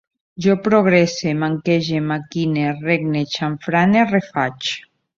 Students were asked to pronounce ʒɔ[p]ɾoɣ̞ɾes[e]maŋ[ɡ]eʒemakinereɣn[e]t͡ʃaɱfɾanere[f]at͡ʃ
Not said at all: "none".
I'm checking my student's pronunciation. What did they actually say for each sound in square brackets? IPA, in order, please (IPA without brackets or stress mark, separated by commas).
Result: p, e, k, e, f